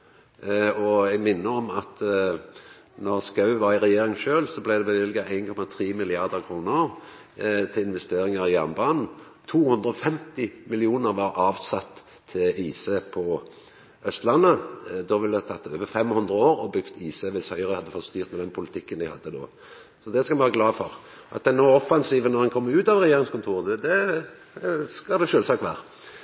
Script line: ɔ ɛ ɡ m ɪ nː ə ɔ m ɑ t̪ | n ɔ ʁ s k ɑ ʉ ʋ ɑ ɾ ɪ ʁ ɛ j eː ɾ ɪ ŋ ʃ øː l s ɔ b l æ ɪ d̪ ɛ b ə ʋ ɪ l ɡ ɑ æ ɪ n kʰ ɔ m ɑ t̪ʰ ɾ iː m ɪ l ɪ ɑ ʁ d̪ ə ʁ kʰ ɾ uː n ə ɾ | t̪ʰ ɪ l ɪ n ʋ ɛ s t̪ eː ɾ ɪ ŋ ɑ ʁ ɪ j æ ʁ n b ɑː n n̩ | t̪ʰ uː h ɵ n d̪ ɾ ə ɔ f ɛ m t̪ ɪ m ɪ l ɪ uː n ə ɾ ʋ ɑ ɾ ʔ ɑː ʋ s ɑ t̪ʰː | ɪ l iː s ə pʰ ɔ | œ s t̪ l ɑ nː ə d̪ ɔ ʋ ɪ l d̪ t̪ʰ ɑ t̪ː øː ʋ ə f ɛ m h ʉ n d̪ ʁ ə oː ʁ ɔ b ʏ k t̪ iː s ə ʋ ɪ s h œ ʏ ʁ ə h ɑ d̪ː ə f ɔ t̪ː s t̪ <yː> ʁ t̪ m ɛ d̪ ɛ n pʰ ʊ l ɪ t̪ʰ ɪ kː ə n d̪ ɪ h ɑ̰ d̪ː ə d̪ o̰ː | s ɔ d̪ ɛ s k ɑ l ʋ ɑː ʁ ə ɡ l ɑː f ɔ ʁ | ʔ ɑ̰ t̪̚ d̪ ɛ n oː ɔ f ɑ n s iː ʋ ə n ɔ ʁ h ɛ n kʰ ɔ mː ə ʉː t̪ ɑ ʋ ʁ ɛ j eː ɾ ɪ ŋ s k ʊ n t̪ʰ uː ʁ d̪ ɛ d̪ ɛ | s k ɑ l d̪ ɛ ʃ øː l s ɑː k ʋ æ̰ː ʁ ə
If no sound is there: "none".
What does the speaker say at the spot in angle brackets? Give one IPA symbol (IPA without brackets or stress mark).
yː